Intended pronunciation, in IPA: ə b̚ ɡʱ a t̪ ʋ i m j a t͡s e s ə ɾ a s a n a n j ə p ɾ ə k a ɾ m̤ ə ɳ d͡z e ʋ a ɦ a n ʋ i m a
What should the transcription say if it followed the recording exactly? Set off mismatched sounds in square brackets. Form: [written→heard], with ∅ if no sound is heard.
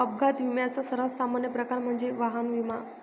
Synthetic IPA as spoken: ə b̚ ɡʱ a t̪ ʋ i m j a t͡s [e→a] s ə ɾ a s a [n→m] a n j ə p ɾ ə k a ɾ m̤ ə ɳ d͡z e ʋ a ɦ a n ʋ i m a